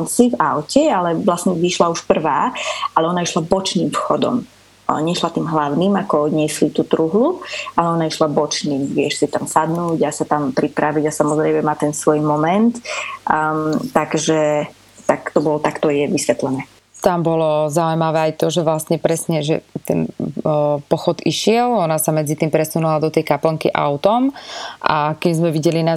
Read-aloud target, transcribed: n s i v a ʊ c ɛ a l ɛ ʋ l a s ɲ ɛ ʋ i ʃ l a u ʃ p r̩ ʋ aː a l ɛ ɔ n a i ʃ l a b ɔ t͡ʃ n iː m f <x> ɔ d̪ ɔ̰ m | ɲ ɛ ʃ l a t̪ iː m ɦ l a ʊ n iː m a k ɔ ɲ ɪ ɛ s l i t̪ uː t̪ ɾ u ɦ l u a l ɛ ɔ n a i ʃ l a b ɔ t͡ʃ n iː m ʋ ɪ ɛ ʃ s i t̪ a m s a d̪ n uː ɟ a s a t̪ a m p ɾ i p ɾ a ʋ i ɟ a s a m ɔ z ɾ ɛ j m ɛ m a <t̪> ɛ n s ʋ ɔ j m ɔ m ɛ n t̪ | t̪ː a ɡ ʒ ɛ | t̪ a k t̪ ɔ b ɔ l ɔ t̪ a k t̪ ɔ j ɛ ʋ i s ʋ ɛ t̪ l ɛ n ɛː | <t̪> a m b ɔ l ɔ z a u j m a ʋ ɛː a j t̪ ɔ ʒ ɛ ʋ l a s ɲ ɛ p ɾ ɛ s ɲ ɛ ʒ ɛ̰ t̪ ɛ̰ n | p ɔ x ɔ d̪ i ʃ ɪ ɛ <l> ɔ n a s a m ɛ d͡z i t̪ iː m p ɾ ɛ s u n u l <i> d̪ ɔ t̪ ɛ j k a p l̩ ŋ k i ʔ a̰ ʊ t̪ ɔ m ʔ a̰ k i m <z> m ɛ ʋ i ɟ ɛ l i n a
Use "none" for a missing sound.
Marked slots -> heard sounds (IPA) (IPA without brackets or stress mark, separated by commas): x, t̪, t̪, l, a, z